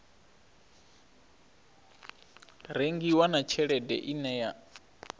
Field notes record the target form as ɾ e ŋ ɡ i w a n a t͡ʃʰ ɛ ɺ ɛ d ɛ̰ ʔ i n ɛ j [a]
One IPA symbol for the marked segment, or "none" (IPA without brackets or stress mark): a